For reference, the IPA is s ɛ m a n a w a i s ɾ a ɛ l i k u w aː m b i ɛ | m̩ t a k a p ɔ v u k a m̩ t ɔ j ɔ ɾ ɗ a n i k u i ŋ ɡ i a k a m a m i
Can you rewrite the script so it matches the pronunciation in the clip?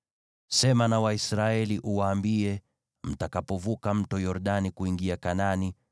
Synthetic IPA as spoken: s ɛ m a n a w a i s ɾ a ɛ l i ʔ u w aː m b i ɛ | m̩ t a k a p ɔ v u k a m̩ t ɔ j ɔ ɾ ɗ a n i k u i ŋ ɡ i a k a n a n i